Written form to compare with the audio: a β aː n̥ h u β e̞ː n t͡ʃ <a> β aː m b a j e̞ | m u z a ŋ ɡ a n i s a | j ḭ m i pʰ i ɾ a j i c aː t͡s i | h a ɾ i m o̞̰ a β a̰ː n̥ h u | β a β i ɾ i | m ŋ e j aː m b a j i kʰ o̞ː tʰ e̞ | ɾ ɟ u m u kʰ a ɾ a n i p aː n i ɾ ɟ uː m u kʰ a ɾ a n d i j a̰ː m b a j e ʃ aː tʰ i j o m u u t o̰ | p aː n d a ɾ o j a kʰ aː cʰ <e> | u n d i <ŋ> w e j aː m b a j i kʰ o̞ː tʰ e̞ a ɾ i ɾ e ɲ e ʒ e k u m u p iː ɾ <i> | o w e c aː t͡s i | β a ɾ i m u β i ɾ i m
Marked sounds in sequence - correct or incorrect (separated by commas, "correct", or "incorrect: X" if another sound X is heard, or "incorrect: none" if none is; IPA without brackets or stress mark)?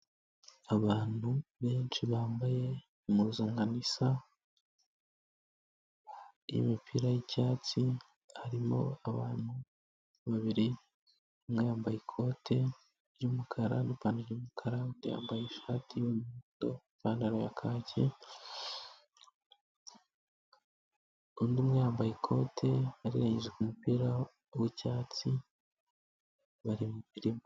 incorrect: i, correct, incorrect: m, incorrect: a